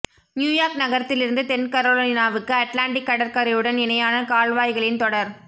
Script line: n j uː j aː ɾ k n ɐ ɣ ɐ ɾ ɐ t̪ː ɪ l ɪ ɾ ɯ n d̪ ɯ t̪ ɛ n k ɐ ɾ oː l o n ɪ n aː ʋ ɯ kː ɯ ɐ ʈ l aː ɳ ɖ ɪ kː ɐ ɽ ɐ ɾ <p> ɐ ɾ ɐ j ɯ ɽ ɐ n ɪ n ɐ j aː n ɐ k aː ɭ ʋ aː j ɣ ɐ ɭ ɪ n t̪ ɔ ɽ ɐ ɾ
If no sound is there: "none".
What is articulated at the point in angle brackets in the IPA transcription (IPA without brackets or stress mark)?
k